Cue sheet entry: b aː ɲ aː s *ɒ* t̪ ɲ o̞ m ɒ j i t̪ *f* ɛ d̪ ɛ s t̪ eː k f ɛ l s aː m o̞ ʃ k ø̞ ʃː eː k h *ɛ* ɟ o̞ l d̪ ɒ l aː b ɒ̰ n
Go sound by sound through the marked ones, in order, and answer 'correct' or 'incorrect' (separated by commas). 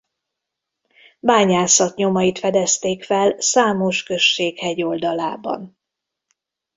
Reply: correct, correct, correct